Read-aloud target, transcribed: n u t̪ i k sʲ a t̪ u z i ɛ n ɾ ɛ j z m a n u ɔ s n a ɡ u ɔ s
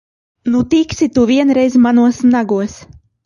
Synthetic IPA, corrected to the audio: n u t̪ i k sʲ i t̪ u v i ɛ n ɾ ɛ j z m a n u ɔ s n a ɡ u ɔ s